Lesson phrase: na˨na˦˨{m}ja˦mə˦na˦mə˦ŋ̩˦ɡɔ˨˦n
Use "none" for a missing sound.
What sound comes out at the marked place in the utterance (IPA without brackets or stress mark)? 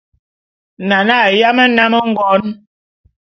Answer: none